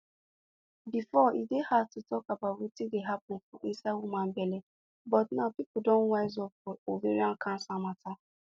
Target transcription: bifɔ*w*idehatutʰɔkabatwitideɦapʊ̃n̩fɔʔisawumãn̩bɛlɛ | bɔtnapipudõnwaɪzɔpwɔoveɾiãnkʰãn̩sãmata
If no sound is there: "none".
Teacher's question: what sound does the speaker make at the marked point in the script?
none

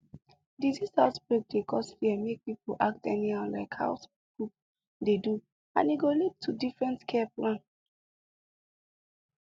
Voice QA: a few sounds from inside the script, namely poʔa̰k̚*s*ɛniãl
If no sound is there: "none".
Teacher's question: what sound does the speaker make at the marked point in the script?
t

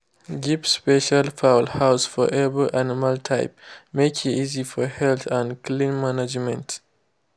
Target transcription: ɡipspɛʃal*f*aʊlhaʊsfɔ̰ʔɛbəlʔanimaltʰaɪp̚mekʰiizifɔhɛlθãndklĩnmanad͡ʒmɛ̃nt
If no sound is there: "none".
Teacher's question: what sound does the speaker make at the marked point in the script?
f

